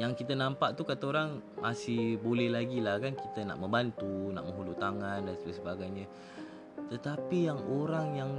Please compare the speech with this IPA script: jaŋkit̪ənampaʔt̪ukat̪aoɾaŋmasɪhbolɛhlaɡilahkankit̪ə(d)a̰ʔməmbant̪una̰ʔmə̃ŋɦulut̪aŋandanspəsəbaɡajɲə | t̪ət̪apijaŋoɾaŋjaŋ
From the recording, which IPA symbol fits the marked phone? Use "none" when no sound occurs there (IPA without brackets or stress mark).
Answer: n